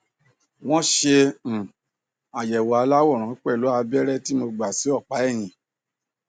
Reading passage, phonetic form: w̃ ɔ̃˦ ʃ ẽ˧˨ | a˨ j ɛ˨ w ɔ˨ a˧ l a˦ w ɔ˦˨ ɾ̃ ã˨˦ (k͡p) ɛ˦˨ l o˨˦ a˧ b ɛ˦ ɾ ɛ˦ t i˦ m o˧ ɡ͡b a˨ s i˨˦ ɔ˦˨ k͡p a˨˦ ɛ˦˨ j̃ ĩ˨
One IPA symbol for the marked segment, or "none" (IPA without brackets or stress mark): k͡p